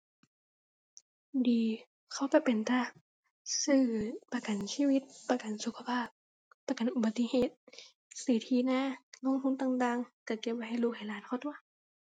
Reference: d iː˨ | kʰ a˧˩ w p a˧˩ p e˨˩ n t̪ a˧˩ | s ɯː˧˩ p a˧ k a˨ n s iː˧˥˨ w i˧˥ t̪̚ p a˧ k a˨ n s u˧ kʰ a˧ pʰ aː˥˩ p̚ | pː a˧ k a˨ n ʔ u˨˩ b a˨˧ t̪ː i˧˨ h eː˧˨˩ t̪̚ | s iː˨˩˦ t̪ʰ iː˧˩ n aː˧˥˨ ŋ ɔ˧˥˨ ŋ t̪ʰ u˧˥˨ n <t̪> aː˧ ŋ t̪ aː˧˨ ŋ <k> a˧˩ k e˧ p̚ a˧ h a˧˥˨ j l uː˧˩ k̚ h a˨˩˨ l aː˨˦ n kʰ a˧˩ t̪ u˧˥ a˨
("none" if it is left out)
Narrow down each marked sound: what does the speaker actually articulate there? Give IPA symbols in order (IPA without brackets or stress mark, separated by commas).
t̪, k